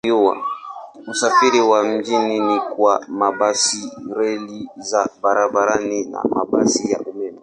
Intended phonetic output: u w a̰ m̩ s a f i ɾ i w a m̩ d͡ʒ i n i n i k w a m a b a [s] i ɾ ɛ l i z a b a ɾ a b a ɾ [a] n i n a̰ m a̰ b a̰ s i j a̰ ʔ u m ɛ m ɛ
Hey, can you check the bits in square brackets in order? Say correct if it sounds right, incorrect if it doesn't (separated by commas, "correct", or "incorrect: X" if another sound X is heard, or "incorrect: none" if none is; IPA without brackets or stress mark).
correct, correct